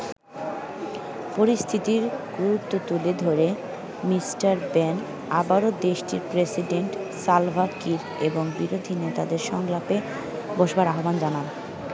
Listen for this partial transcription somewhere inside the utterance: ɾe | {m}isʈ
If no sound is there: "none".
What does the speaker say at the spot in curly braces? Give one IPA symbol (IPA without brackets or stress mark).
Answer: m